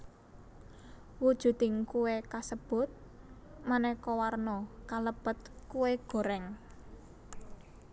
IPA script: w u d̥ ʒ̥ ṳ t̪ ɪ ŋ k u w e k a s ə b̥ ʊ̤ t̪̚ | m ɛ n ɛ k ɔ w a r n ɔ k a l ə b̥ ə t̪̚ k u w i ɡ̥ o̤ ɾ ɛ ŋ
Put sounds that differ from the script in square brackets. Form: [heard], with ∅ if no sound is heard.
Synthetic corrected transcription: w u d̥ ʒ̥ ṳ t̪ ɪ ŋ k u w e k a s ə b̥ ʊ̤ t̪̚ | m [a] n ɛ k ɔ w a r n ɔ k a l ə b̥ ə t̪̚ k u w [e] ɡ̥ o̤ ɾ ɛ ŋ